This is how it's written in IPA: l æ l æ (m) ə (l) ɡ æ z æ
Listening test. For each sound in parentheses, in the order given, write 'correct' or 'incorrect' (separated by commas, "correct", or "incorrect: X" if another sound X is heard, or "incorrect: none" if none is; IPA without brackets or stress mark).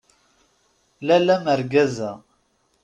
correct, incorrect: ɾ